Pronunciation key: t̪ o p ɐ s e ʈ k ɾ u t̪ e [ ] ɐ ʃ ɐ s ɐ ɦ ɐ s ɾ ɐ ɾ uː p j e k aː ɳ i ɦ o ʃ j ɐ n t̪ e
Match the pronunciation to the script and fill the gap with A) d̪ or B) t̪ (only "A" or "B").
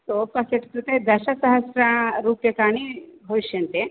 A